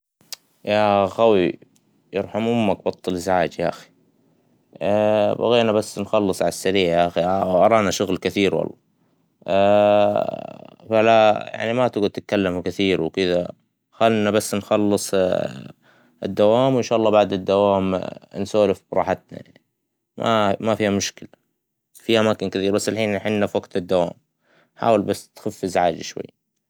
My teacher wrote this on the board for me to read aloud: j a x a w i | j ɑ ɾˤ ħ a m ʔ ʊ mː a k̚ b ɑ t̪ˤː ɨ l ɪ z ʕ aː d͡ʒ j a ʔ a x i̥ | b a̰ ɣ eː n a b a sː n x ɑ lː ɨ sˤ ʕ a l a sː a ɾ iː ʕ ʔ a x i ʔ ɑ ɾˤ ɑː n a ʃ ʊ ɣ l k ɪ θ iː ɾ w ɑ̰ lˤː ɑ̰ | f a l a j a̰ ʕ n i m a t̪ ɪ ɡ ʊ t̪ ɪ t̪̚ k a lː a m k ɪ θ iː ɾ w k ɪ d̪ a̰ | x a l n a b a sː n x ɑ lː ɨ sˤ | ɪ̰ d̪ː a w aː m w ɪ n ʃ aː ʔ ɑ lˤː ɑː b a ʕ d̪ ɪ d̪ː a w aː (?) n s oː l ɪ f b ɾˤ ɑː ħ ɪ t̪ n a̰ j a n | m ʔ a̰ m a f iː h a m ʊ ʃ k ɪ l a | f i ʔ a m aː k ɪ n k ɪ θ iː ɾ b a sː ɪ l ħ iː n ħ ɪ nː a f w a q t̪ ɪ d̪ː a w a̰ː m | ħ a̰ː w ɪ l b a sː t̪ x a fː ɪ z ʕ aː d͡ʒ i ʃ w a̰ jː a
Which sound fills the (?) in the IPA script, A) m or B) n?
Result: A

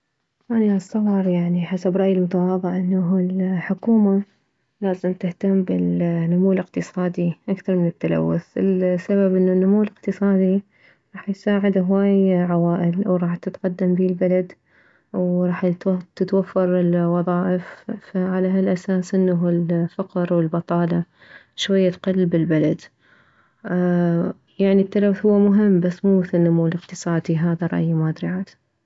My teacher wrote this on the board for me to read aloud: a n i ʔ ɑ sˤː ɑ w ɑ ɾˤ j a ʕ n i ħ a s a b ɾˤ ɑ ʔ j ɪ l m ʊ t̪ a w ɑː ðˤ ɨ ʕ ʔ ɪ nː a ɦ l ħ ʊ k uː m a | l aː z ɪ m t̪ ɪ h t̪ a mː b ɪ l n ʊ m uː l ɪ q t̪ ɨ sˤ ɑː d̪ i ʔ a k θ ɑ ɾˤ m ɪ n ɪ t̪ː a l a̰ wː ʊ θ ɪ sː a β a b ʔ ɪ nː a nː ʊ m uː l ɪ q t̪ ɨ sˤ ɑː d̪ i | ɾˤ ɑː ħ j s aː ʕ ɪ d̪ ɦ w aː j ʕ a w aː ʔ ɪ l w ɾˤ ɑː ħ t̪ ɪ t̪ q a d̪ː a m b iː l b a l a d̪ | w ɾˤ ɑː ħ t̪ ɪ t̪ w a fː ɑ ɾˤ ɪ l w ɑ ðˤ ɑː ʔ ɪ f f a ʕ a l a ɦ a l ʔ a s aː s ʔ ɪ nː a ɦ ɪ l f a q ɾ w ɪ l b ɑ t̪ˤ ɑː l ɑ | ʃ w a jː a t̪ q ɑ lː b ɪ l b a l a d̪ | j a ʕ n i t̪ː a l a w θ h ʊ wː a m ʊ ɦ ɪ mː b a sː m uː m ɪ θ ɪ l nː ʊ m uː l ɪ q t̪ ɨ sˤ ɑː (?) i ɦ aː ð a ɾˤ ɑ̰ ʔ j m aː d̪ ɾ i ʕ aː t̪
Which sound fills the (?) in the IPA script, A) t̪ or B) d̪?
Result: B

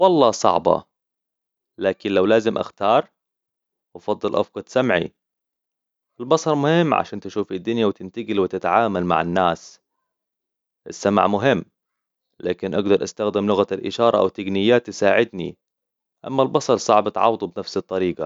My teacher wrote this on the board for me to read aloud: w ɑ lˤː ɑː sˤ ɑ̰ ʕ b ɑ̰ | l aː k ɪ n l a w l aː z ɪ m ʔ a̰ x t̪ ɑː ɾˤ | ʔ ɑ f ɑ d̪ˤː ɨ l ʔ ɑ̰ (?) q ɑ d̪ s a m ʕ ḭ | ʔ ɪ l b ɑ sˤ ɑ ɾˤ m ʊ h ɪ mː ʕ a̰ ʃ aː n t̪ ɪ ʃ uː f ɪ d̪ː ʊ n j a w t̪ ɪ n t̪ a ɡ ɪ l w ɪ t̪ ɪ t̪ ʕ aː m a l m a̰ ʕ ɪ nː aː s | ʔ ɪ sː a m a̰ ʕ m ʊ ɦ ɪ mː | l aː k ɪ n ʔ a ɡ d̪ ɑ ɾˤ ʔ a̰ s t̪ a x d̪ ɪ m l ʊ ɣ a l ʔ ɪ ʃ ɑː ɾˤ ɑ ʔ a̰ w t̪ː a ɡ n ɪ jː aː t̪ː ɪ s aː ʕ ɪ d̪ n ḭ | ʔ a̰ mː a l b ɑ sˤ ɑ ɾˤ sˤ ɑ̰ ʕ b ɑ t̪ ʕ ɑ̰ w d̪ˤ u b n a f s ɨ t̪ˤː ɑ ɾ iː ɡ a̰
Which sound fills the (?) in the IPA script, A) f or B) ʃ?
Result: A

